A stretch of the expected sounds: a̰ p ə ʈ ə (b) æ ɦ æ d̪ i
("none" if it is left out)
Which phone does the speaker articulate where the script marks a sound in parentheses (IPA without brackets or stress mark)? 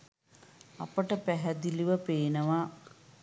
p